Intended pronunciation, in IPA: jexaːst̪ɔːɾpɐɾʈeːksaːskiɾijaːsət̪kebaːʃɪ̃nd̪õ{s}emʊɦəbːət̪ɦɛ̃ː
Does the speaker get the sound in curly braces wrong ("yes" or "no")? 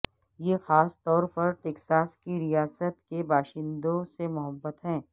no